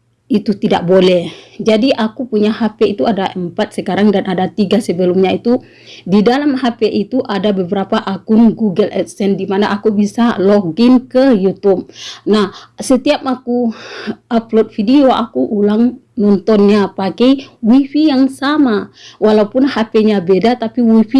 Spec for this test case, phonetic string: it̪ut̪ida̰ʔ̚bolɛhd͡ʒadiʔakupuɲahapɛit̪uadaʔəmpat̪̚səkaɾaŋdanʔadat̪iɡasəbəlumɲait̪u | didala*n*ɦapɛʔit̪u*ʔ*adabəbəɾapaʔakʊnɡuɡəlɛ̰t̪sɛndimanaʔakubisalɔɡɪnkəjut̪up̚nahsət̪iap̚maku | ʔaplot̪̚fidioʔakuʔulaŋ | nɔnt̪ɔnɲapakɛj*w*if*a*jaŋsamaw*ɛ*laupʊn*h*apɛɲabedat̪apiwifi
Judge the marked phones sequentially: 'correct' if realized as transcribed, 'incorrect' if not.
incorrect, correct, correct, incorrect, incorrect, correct

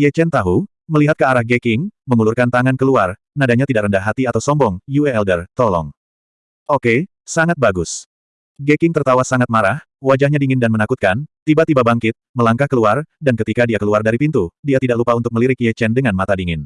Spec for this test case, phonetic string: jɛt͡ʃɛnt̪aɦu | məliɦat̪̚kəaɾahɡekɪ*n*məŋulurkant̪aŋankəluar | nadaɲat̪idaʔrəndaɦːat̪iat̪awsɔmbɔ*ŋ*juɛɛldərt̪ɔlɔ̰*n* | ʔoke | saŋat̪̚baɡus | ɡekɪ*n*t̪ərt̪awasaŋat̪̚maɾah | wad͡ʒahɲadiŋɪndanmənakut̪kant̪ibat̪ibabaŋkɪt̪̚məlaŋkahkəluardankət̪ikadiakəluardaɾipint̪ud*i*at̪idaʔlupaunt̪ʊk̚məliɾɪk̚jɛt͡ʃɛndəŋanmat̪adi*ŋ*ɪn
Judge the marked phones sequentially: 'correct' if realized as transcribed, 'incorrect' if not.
incorrect, correct, incorrect, incorrect, correct, correct

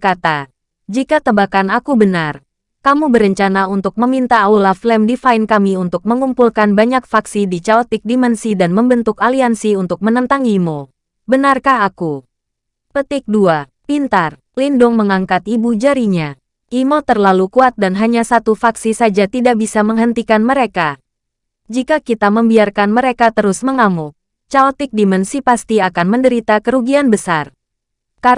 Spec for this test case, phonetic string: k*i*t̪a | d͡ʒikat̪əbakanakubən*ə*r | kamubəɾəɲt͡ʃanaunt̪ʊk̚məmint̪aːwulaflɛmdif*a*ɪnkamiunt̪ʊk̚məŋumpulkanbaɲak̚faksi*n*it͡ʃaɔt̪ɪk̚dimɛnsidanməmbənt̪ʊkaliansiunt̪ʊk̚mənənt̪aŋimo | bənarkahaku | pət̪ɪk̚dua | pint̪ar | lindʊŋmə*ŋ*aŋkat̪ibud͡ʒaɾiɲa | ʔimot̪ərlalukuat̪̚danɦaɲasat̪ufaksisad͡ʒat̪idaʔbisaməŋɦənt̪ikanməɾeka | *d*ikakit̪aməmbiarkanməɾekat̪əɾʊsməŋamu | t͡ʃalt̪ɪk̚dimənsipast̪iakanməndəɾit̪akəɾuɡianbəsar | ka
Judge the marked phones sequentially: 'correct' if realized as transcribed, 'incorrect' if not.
incorrect, incorrect, correct, incorrect, correct, incorrect

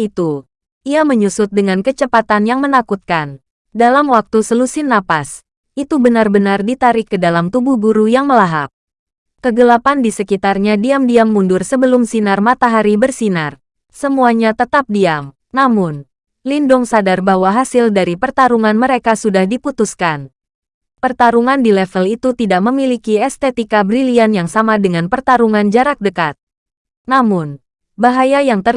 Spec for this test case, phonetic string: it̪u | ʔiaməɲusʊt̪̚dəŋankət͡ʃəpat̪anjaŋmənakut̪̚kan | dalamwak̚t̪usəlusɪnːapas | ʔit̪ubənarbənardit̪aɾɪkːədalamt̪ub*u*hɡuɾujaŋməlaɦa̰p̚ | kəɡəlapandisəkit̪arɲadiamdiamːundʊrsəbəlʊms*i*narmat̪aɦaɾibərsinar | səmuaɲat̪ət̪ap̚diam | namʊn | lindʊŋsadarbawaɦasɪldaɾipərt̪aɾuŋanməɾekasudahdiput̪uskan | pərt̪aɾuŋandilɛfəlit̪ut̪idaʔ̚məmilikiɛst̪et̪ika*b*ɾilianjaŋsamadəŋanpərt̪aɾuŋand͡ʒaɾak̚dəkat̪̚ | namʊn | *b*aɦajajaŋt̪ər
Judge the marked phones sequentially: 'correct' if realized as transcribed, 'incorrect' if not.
correct, correct, correct, correct

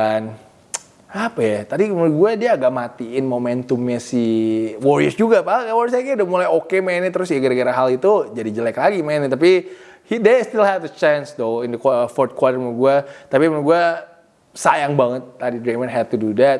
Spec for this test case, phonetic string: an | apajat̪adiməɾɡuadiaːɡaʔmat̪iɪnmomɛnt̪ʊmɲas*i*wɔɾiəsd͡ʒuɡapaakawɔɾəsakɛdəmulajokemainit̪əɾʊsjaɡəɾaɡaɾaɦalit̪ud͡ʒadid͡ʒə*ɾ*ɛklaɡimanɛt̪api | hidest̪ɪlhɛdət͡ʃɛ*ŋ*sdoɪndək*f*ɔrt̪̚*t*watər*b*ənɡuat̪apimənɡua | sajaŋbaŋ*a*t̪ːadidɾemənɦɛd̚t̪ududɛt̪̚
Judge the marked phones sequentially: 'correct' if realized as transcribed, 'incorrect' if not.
correct, incorrect, incorrect, correct, incorrect, incorrect, incorrect

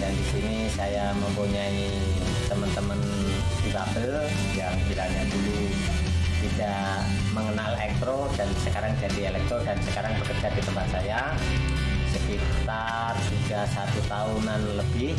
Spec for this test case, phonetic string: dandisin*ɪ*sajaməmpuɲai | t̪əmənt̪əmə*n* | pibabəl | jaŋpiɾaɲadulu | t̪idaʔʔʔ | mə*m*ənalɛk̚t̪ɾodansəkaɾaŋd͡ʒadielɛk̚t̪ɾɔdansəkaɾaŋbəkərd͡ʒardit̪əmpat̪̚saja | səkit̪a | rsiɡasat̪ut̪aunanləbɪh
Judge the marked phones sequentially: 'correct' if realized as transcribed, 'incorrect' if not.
incorrect, correct, incorrect

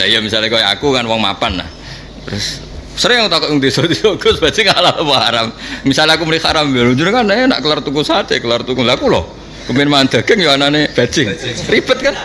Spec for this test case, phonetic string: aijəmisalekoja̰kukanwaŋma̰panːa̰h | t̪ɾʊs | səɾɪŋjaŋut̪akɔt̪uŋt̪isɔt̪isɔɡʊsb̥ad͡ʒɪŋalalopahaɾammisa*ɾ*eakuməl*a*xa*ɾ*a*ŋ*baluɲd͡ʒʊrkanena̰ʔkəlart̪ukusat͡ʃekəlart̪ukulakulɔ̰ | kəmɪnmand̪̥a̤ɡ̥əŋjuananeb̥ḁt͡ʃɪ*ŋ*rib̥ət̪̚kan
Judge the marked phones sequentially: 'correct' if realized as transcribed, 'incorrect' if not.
incorrect, incorrect, correct, incorrect, correct

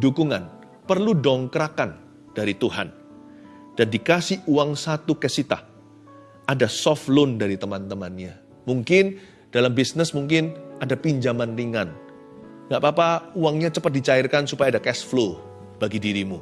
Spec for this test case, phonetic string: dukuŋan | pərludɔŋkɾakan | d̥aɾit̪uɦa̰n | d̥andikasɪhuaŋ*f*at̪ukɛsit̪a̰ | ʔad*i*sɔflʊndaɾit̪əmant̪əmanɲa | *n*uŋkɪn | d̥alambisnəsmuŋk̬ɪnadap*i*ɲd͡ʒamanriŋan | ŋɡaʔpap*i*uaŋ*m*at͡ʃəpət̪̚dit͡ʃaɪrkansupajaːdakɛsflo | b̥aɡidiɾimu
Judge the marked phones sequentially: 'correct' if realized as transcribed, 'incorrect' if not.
incorrect, incorrect, incorrect, correct, incorrect, incorrect

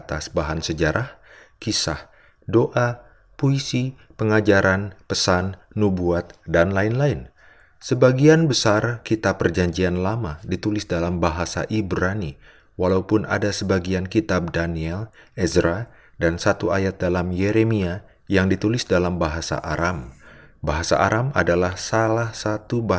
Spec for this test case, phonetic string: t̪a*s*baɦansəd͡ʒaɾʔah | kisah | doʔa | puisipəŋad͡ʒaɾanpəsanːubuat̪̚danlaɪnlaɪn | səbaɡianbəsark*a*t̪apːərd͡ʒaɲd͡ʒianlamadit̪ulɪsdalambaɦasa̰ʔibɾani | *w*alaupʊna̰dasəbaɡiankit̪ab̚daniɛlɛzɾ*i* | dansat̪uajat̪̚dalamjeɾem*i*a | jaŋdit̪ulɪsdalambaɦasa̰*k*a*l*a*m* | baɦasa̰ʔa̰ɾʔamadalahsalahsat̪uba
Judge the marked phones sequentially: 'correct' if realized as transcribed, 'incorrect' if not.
correct, incorrect, correct, incorrect, correct, incorrect, incorrect, correct

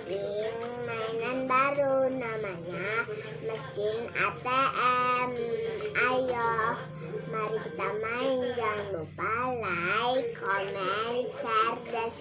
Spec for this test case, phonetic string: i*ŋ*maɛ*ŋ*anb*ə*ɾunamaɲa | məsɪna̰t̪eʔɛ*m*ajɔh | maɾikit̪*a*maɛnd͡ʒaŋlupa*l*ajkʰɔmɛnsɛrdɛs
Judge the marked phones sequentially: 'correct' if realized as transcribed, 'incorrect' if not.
correct, incorrect, incorrect, correct, correct, correct

